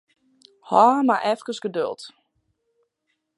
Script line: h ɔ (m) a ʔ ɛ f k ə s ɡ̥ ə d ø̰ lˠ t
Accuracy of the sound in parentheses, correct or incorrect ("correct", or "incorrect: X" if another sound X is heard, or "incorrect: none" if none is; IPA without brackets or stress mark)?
correct